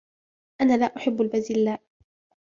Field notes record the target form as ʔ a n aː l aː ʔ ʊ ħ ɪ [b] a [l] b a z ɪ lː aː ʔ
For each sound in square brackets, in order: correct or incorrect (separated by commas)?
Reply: incorrect, correct